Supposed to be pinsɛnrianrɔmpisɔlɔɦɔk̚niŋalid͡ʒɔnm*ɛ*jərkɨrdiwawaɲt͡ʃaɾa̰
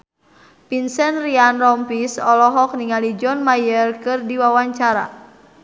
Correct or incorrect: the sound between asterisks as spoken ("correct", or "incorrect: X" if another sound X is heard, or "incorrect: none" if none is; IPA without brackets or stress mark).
incorrect: a